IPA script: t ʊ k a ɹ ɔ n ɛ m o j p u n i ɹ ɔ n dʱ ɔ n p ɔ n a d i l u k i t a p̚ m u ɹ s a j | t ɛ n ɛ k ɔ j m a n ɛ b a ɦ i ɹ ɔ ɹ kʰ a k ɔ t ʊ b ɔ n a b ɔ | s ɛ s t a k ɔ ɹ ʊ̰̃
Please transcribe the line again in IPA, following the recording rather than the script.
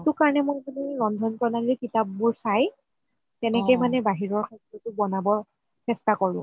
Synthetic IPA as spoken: t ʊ k a ɹ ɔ n ɛ m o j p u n i ɹ ɔ n dʱ ɔ n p ɔ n a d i l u k i t a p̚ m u ɹ s a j | t ɛ n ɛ k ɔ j m a n ɛ b a ɦ i ɹ ɔ ɹ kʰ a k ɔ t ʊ b ɔ n a b ɔ | s ɛ s t a k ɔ ɹ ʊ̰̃